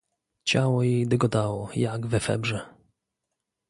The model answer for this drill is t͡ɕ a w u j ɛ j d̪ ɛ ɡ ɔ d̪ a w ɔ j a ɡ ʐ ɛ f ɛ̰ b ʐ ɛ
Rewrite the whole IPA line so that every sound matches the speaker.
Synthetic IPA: t͡ɕ a w ɔ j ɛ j d̪ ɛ ɡ ɔ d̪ a w ɔ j a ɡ v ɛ f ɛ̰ b ʐ ɛ

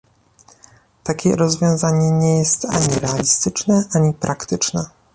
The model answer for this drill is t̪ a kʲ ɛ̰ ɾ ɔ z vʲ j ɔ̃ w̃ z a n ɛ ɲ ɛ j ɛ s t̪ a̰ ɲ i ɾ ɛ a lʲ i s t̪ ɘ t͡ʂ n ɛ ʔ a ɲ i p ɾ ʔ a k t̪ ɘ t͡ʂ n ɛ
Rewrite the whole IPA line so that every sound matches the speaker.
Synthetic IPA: t̪ a kʲ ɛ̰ ɾ ɔ z vʲ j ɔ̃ w̃ z a ɲ ɛ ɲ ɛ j ɛ s t̪ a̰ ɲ i ɾ ɛ a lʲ i s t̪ ɘ t͡ʂ n ɛ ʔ a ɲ i p ɾ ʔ a k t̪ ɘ t͡ʂ n ɛ

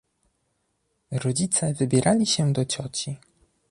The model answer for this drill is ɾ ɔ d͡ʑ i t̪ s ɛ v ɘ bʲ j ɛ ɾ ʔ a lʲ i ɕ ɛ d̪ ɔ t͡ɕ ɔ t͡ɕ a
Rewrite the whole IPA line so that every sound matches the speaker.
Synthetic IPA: ɾ ɔ d͡ʑ i t̪ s ɛ v ɘ bʲ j ɛ ɾ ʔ a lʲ i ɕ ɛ d̪ ɔ t͡ɕ ɔ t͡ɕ i

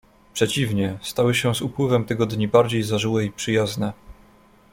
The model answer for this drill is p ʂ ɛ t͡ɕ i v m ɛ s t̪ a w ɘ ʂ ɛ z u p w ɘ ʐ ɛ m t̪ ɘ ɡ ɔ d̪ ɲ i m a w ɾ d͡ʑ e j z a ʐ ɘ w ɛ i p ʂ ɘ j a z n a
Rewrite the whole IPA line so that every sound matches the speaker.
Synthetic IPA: p ʂ ɛ t͡ɕ i v ɲ ɛ s t̪ a w ɘ ɕ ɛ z u p w ɘ v ɛ m t̪ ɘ ɡ ɔ d̪ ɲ i b a ɾ d͡ʑ e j z a ʐ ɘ w ɛ i p ʂ ɘ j a z n ɛ

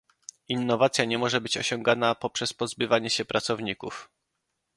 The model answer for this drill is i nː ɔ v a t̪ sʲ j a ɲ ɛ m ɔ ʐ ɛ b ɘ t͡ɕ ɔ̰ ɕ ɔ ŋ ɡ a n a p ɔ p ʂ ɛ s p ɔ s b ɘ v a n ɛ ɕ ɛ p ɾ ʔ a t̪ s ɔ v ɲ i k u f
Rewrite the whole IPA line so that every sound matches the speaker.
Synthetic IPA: i nː ɔ v a t̪ sʲ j a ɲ ɛ m ɔ ʐ ɛ b ɘ t͡ɕ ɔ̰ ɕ ɔ ŋ ɡ a n a p ɔ p ʂ ɛ s p ɔ z b ɘ v a ɲ ɛ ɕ ɛ p ɾ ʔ a t̪ s ɔ v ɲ i k u f

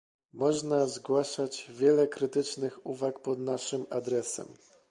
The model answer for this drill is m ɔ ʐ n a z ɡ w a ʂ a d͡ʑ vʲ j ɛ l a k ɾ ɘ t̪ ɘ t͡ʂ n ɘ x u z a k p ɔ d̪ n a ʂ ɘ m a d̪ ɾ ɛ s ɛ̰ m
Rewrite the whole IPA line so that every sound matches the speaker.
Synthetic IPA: m ɔ ʐ n a z ɡ w a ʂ a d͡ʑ vʲ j ɛ l ɛ k ɾ ɘ t̪ ɘ t͡ʂ n ɘ x u v a k p ɔ d̪ n a ʂ ɘ m a d̪ ɾ ɛ s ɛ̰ m

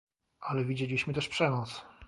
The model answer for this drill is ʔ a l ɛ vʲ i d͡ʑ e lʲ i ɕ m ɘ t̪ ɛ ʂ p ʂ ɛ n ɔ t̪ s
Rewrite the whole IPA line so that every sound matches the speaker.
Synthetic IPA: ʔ a l ɛ vʲ i d͡ʑ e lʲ i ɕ m ɘ t̪ ɛ ʂ p ʂ ɛ n ɔ t̪ s

